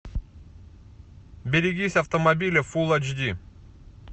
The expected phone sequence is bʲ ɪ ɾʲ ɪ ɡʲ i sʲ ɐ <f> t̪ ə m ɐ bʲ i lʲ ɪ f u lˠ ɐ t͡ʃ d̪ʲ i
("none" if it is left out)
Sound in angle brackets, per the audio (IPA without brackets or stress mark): f